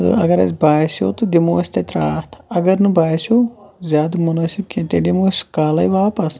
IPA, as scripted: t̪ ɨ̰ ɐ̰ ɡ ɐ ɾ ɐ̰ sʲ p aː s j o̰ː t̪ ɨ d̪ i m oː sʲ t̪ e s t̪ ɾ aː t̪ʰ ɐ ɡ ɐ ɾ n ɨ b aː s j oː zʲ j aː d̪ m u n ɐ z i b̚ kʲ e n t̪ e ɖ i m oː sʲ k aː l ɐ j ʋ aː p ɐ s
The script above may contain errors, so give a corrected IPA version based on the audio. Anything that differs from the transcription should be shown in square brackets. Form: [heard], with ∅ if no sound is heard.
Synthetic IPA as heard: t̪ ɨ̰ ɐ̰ ɡ ɐ ɾ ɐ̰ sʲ [b] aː s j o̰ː t̪ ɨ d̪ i m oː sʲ t̪ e [∅] t̪ ɾ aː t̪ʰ ɐ ɡ ɐ ɾ n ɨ b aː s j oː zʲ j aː d̪ m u n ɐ [s] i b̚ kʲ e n t̪ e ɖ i m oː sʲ k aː l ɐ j ʋ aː p ɐ s